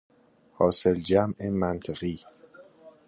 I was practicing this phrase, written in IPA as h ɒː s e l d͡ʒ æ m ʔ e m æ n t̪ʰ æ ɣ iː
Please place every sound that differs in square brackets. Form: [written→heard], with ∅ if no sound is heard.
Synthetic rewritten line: h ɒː s e l d͡ʒ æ m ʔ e m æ n t̪ʰ [æ→e] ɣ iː